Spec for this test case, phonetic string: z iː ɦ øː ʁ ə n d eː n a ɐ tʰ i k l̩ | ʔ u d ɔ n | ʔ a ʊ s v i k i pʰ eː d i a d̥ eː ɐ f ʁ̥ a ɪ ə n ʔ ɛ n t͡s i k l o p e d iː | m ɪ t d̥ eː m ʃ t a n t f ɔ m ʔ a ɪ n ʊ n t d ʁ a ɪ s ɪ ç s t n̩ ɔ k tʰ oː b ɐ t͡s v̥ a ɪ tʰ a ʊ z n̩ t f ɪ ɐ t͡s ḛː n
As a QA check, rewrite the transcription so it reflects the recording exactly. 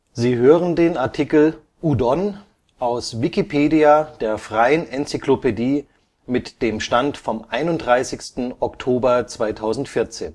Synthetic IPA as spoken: z iː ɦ øː ʁ ə n d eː n a ɐ tʰ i k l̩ | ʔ u d ɔ n | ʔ a ʊ s v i k i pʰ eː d i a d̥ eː ɐ f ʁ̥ a ɪ ə n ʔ ɛ n t͡s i k l o p e d iː | m ɪ t d̥ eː m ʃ t a n t f ɔ m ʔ a ɪ n ʊ n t d ʁ a ɪ s ɪ ç s t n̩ ɔ k tʰ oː b ɐ t͡s v̥ a ɪ tʰ a ʊ z n̩ t f ɪ ɐ t͡s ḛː n